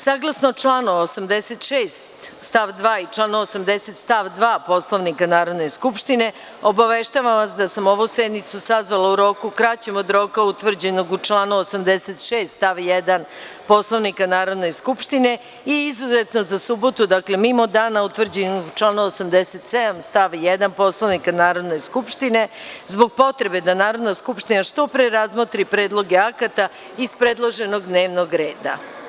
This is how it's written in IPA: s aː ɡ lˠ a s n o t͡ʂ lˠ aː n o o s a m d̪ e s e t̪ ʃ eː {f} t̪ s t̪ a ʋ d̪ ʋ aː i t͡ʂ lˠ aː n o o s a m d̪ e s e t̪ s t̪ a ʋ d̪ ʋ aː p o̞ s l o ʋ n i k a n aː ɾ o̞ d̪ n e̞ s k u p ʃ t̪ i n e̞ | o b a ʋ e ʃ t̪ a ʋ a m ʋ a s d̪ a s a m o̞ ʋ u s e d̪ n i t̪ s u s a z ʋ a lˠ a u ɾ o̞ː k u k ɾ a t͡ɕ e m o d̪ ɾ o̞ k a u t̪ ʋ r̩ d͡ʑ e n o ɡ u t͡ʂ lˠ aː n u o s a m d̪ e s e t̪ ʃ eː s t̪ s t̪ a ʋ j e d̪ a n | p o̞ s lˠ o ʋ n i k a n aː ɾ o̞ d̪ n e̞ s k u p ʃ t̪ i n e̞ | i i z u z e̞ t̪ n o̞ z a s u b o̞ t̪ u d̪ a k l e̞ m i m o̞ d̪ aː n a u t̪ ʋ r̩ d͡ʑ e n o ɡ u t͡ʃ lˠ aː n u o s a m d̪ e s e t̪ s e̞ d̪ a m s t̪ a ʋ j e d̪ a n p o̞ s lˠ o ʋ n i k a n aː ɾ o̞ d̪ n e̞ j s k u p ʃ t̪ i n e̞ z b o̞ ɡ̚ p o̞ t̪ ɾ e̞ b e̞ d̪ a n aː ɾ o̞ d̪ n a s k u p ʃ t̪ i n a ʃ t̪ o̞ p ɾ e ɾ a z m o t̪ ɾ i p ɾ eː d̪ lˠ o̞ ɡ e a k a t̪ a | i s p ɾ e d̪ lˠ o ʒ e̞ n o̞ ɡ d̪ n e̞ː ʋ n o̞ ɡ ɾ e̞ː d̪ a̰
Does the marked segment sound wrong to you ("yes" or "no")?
yes